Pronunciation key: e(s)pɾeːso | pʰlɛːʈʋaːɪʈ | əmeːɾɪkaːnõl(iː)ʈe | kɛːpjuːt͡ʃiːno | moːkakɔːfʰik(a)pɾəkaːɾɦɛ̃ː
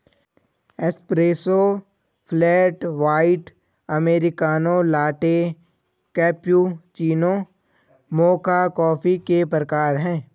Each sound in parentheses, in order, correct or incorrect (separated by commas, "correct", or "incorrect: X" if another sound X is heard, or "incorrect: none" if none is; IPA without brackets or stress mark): correct, incorrect: aː, incorrect: e